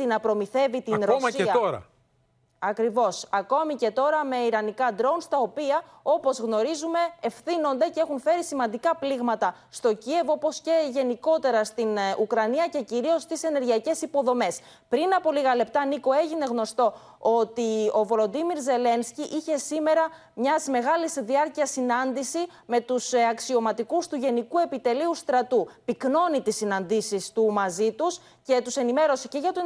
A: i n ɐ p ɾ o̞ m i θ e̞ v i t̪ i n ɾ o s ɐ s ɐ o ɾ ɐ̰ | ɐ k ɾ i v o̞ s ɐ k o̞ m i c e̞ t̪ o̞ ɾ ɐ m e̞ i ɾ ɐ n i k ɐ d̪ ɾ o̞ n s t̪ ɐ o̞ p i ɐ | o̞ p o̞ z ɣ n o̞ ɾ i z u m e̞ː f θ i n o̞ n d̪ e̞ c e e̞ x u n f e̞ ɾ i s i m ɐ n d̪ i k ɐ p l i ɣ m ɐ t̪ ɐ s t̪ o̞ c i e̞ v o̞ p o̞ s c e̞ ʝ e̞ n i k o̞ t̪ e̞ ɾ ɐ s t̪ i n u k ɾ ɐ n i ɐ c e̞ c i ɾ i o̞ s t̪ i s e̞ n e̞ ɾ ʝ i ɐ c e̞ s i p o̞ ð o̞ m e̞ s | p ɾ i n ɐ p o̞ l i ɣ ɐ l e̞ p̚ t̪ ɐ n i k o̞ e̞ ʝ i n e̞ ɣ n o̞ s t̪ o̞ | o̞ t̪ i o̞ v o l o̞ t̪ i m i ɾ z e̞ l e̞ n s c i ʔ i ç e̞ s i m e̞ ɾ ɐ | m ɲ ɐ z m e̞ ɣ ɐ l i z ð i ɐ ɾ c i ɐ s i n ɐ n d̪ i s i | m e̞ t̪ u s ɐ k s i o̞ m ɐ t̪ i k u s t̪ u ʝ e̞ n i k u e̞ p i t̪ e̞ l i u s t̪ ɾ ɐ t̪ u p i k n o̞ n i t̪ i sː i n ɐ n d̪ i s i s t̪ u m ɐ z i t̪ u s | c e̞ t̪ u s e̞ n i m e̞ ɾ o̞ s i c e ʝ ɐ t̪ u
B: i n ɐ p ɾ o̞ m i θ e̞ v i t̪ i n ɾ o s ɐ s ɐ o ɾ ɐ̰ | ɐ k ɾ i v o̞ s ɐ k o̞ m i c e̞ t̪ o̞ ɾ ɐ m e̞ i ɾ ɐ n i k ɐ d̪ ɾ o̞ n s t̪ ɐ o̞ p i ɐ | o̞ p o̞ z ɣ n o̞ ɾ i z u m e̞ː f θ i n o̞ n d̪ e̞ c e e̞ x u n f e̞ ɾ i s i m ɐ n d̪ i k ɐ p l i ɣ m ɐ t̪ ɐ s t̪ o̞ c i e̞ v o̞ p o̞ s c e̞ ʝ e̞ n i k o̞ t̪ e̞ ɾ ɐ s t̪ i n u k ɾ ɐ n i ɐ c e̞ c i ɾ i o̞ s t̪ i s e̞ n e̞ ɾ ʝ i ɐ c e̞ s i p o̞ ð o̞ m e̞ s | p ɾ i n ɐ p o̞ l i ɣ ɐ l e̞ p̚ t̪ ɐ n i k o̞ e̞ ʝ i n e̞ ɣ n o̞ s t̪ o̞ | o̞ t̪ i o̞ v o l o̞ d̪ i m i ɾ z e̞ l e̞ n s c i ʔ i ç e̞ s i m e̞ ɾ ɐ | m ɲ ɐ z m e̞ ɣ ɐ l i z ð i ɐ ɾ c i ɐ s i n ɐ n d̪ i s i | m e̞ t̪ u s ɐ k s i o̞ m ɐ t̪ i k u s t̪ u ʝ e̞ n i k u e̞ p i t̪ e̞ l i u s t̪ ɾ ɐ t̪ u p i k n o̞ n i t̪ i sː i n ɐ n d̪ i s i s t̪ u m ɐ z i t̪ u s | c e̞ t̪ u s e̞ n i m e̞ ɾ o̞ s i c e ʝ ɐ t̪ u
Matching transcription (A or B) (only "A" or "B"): B